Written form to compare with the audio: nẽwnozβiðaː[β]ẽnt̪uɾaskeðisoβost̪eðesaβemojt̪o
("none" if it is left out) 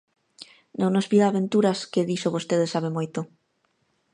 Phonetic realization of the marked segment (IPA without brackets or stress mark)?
β